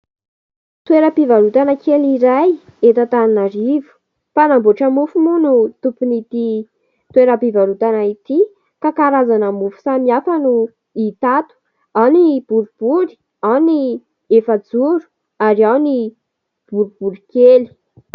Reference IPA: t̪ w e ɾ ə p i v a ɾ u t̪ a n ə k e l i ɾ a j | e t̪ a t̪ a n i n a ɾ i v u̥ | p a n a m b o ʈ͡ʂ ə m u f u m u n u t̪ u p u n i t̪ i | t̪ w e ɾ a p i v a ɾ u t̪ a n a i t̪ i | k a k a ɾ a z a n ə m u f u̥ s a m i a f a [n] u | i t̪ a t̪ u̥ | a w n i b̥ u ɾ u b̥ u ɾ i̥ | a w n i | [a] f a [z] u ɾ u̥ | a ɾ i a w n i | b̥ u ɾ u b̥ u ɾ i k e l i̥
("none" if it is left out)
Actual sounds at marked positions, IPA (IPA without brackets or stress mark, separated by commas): n, e, d͡z